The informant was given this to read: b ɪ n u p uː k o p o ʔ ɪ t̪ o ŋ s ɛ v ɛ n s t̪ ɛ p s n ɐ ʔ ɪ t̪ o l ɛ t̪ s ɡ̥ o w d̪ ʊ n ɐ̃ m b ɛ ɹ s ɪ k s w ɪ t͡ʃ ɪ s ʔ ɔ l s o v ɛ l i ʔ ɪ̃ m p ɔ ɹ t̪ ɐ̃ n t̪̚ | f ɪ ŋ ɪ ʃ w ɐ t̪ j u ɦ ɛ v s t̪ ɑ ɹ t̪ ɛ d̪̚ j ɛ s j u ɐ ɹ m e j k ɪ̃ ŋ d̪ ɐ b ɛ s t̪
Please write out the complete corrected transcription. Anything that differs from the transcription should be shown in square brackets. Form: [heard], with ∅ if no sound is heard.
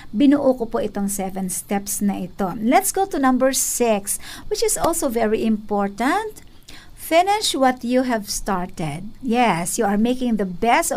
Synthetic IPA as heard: b ɪ n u [ʔ] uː k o p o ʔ ɪ t̪ o ŋ s ɛ v ɛ n s t̪ ɛ p s n ɐ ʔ ɪ t̪ o l ɛ t̪ s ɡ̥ o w [t̪] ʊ n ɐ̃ m b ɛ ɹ s ɪ k s w ɪ t͡ʃ ɪ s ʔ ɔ l s o v ɛ [ɹ] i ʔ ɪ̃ m p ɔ ɹ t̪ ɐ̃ n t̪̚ | f ɪ [n] ɪ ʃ w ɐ t̪ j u ɦ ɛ v s t̪ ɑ ɹ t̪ ɛ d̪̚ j ɛ s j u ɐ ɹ m e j k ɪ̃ ŋ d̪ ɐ b ɛ s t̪